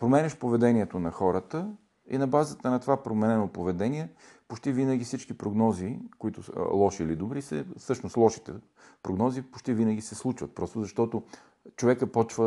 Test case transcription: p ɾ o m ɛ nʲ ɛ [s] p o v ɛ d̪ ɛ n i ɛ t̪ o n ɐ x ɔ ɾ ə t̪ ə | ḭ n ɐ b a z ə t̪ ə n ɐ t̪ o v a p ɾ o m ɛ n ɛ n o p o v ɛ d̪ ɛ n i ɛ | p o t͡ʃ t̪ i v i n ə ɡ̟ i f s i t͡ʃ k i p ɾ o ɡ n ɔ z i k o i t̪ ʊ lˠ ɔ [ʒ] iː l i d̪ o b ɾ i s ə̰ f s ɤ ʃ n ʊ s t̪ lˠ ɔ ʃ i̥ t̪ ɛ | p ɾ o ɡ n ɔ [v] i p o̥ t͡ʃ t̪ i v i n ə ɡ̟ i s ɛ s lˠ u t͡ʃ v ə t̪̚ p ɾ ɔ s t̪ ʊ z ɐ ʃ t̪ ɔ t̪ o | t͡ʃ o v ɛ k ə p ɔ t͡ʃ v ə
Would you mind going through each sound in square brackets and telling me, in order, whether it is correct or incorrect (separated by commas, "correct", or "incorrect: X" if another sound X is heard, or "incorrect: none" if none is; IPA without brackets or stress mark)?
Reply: incorrect: ʃ, incorrect: ʃ, incorrect: z